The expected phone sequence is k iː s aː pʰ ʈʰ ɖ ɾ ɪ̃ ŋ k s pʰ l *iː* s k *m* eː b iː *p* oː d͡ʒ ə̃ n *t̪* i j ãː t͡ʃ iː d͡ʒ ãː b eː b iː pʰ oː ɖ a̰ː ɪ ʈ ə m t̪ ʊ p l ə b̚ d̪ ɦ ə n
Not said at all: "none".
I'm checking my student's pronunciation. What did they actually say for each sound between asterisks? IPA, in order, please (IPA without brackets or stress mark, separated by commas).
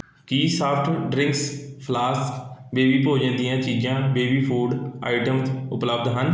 aː, b, p, d̪